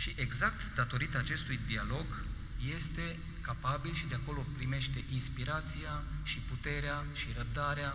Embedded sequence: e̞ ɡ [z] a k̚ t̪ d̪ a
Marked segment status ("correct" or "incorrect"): correct